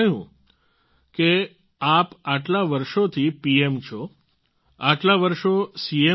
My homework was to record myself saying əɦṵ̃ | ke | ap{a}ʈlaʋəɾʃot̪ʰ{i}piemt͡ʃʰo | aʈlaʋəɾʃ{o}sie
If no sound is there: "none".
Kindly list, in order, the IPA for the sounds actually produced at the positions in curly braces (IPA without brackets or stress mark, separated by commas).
a, i, o